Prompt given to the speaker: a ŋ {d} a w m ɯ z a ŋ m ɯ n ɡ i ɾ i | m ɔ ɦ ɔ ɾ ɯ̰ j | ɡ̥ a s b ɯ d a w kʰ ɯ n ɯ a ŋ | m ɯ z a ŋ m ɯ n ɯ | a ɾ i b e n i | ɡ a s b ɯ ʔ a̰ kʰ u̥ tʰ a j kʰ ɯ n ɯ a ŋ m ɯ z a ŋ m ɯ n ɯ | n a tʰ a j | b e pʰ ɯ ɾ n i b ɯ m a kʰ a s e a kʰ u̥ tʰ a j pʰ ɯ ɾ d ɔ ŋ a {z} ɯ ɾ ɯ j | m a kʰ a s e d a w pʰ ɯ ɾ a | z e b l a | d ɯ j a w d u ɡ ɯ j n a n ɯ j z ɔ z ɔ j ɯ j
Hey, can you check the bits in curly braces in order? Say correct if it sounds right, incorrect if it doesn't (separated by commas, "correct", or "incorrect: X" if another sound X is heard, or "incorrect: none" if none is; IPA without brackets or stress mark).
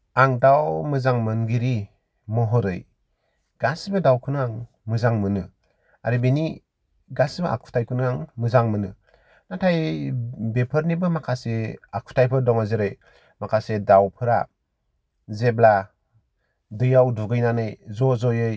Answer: correct, correct